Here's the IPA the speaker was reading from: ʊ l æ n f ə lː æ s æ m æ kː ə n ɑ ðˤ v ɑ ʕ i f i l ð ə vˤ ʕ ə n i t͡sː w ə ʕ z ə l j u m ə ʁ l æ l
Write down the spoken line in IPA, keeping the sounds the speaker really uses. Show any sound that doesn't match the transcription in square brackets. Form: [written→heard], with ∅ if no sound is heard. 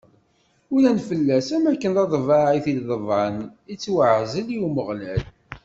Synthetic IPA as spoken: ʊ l æ n f ə lː æ s æ m æ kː ə n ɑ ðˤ v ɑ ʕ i [f→θ] i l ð ə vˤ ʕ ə n i t͡sː w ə ʕ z ə l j u m ə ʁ l æ l